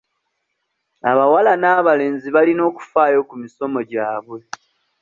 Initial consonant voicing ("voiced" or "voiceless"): voiced